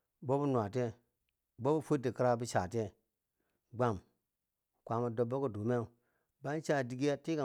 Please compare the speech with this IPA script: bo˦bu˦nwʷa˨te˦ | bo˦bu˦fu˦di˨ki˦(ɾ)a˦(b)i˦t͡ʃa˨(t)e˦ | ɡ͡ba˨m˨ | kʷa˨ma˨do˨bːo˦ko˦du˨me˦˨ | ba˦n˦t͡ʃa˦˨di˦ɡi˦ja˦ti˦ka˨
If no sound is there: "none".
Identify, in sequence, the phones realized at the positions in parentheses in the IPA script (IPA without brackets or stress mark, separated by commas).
ɾ, b, t